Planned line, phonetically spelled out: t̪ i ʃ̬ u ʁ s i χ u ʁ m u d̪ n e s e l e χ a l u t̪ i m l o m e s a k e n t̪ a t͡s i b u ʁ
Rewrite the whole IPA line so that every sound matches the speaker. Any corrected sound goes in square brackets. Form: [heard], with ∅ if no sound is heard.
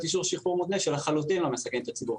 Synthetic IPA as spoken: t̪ i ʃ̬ u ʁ [ʃ] i χ u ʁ m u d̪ n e [ʃ] e l [a] χ a l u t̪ i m l o m e s a k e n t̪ a t͡s i b u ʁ